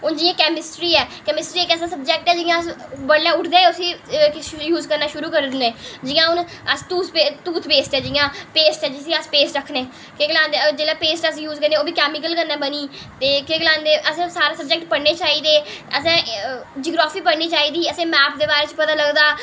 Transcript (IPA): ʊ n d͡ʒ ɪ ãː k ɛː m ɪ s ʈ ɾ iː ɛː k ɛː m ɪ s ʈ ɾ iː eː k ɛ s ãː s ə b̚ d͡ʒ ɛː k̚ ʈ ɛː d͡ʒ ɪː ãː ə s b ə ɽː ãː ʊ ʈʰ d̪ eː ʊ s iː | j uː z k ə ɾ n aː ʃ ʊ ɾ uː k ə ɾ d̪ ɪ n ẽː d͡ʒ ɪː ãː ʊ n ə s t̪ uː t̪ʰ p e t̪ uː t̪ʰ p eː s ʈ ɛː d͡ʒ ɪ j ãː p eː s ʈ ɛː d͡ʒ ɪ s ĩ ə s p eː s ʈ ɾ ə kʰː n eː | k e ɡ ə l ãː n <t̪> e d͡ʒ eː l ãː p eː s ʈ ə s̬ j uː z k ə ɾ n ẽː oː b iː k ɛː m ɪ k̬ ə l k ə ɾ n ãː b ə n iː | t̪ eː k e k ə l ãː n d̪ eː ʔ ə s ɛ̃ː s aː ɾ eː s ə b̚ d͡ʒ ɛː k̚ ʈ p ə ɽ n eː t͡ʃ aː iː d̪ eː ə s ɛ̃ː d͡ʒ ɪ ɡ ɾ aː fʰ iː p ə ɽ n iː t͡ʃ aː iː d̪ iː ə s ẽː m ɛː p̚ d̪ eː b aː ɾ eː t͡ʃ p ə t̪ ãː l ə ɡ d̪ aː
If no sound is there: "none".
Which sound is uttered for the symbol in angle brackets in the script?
d̪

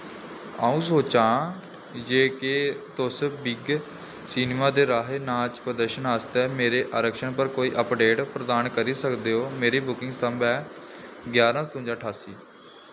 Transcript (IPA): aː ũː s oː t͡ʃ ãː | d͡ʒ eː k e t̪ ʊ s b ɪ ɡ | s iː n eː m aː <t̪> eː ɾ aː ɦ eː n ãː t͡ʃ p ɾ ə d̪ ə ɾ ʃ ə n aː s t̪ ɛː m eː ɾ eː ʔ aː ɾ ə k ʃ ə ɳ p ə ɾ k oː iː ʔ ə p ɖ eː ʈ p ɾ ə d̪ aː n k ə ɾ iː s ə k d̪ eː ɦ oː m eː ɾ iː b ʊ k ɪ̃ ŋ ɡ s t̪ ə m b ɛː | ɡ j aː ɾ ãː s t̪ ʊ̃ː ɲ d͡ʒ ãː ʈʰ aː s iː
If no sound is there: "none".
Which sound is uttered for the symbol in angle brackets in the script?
d̪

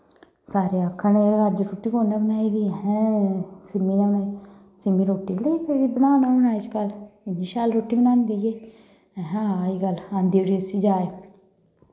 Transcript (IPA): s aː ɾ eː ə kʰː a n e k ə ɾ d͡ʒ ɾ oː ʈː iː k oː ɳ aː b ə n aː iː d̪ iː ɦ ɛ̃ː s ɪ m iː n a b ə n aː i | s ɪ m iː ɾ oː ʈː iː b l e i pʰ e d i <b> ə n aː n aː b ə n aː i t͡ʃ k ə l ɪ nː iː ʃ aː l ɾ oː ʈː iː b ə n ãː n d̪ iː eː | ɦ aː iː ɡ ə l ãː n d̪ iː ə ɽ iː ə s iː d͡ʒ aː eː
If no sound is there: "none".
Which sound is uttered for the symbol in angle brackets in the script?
b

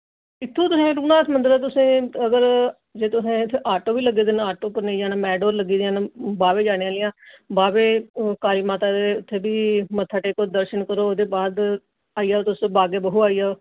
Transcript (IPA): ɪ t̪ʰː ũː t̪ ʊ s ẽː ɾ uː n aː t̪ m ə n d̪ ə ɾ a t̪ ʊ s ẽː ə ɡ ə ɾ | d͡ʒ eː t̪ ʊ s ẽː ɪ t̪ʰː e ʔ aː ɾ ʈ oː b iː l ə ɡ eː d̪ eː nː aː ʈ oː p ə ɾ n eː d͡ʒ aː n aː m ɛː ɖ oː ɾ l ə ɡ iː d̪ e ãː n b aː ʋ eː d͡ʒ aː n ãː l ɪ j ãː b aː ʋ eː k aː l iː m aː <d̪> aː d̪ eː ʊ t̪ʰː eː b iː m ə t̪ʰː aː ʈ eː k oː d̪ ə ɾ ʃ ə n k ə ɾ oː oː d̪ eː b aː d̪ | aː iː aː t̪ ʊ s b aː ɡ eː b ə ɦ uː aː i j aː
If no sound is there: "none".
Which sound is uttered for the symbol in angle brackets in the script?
t̪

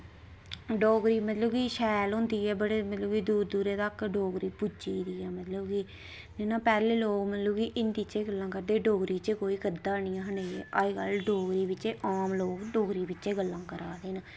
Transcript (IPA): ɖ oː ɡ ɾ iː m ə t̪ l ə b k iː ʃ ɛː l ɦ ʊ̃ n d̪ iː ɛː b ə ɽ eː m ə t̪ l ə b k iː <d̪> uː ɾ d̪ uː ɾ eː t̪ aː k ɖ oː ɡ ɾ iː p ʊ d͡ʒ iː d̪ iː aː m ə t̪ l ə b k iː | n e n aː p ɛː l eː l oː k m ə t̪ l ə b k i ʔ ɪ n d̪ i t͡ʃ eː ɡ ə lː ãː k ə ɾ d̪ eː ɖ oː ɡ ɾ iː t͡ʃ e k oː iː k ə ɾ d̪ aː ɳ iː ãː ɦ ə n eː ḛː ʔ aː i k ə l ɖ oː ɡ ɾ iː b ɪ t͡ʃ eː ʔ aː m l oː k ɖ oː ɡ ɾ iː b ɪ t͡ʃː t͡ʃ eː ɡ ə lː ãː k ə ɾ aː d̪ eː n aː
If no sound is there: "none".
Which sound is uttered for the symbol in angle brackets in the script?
d̪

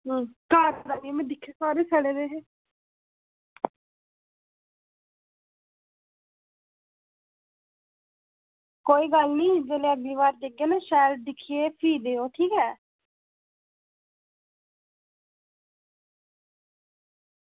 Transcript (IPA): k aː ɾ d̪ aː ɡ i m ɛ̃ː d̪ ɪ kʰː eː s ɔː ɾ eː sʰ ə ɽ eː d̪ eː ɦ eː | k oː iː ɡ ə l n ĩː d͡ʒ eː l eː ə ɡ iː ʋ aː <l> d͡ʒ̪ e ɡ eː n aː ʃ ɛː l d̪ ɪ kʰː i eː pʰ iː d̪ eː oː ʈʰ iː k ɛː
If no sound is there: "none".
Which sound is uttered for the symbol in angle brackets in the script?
ɾ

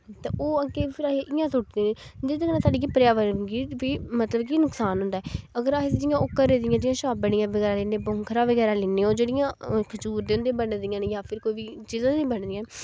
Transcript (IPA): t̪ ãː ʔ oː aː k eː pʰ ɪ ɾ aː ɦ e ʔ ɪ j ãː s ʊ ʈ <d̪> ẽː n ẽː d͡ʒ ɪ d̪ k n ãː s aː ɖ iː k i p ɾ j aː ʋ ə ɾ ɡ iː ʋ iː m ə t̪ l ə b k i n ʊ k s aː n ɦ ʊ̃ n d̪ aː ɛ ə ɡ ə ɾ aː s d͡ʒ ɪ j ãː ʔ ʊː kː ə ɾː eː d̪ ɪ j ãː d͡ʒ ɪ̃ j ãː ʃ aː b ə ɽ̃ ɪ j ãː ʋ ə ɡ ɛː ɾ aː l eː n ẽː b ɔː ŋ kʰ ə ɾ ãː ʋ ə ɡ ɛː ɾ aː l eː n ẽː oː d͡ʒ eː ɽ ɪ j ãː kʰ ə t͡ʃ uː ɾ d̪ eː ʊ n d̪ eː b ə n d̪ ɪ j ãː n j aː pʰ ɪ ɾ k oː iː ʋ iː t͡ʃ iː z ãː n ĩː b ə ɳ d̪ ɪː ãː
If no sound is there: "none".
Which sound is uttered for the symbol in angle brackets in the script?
d̪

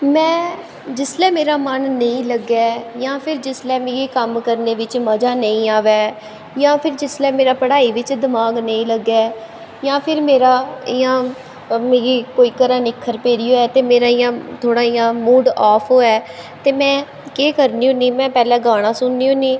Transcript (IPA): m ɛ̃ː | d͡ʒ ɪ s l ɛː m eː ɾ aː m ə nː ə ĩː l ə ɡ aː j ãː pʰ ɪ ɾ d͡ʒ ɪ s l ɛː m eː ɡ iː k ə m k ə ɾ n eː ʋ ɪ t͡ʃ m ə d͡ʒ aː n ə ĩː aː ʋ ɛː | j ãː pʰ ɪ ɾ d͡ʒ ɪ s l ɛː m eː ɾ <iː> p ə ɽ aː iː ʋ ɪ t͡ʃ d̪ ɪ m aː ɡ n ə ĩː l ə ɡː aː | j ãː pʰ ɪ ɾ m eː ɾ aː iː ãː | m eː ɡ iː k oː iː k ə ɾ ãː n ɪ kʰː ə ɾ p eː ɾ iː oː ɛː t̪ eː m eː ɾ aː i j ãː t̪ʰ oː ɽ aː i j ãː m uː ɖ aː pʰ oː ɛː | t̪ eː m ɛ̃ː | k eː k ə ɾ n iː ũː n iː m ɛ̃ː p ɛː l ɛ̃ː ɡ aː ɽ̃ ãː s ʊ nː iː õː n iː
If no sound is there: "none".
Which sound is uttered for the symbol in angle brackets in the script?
aː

